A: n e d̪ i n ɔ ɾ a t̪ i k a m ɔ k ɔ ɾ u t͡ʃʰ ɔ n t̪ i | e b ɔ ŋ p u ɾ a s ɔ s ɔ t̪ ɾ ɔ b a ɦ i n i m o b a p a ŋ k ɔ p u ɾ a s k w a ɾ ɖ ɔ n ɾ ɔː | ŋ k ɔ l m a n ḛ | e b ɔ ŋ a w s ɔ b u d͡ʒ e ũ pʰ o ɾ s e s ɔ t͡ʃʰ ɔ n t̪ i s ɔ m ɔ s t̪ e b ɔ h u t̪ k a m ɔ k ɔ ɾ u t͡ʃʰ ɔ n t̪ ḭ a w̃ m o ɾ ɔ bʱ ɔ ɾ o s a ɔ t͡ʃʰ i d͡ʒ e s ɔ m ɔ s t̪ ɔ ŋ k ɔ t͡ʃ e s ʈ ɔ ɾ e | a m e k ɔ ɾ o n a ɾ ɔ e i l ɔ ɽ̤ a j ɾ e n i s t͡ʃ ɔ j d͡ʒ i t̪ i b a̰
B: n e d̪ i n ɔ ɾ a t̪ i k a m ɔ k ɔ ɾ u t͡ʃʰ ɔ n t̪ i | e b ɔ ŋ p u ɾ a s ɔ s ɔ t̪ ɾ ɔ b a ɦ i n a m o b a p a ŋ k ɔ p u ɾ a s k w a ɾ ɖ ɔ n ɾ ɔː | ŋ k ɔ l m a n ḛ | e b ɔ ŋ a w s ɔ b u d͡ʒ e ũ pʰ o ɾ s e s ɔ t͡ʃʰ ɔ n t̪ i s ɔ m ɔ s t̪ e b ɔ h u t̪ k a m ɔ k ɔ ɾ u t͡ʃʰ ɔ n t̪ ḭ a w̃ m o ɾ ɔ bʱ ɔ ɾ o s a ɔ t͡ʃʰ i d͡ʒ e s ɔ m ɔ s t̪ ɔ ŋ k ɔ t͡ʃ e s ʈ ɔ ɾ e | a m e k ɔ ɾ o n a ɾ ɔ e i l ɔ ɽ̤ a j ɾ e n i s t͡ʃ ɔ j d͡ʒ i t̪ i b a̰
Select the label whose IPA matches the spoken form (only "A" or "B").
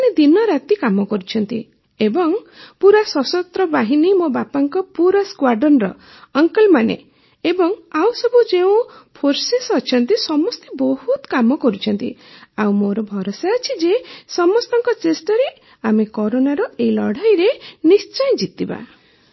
A